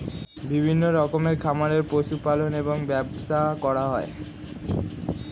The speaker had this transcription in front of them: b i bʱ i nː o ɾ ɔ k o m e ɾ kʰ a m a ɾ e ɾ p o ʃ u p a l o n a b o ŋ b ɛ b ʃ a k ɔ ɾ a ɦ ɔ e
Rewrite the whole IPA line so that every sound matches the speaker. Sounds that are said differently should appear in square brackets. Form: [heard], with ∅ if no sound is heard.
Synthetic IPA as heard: b i bʱ i nː o ɾ ɔ k o m e ɾ kʰ a m a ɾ e ɾ p o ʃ u p a l o n [e] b o ŋ b ɛ b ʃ a k ɔ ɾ a ɦ ɔ e